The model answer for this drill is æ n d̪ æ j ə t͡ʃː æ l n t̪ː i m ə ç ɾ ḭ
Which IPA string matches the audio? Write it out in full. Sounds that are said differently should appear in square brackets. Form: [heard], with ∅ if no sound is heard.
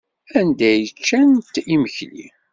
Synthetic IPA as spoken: æ n d̪ æ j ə t͡ʃː æ [∅] n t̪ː i m ə ç [l] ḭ